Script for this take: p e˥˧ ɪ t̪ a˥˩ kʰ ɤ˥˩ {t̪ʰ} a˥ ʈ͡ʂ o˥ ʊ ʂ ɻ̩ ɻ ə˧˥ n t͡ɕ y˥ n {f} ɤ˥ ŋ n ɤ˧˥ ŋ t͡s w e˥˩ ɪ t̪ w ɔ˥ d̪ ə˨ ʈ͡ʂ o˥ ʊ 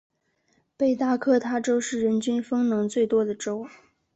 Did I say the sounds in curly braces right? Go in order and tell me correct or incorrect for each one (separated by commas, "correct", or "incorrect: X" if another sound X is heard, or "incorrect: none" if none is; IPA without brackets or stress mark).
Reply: correct, correct